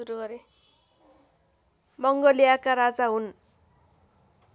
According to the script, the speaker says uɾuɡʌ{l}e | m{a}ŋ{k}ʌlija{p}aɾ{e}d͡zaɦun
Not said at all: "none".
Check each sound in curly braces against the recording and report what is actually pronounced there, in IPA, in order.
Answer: ɾ, ʌ, ɡ, k, a

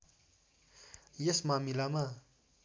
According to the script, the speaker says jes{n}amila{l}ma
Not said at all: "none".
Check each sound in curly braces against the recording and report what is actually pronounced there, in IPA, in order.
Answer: m, none

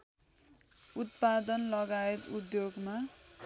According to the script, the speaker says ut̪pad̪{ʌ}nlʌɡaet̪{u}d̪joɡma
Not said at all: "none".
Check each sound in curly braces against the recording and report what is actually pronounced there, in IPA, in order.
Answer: ʌ, u

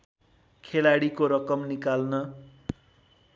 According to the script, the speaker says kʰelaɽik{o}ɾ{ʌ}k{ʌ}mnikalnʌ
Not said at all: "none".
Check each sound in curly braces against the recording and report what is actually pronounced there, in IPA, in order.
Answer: o, ʌ, ʌ

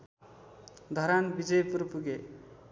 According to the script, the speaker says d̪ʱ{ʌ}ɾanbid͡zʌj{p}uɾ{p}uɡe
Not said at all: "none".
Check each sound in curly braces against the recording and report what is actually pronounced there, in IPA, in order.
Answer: ʌ, p, p

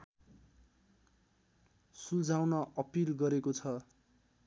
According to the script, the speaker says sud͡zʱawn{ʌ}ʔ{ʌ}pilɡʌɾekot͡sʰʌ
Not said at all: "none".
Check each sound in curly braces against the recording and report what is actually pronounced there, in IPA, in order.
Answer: ʌ, ʌ

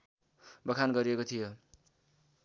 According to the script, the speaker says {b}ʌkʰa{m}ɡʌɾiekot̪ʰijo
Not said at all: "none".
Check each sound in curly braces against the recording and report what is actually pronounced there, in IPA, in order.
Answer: b, n

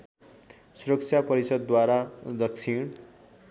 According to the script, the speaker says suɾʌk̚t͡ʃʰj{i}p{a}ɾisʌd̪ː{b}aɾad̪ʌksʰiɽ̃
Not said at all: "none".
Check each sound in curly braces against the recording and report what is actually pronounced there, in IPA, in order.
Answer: a, ʌ, w

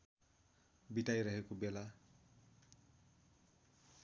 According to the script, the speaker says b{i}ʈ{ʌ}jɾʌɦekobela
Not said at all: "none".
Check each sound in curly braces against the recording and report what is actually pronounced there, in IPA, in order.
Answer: i, a

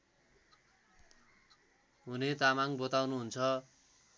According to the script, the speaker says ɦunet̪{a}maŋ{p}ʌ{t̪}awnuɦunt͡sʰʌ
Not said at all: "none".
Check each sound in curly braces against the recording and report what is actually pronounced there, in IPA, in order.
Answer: a, b, t̪

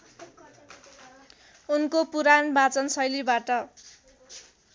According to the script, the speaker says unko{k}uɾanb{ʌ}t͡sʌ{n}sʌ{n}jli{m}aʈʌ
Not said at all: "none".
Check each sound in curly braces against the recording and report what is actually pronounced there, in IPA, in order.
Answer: p, a, n, none, b

